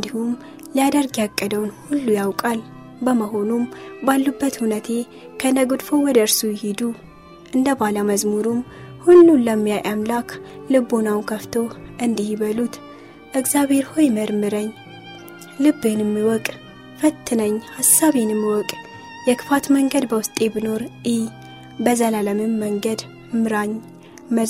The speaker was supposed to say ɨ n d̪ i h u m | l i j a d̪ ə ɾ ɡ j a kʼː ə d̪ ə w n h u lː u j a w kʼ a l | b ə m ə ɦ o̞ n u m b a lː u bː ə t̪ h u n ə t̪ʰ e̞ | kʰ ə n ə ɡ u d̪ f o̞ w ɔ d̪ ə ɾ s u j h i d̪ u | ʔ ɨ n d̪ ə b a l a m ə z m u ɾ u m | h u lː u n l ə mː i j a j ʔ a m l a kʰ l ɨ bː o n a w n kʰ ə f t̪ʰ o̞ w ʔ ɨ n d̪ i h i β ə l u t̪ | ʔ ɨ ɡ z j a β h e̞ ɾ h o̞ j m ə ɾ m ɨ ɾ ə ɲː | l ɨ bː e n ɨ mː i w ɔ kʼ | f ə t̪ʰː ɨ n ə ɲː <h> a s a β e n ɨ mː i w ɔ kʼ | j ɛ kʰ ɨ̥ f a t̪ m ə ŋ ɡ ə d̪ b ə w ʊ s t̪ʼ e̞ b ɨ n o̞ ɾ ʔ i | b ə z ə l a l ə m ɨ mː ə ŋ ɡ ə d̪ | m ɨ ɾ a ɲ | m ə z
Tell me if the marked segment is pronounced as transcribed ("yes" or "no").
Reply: yes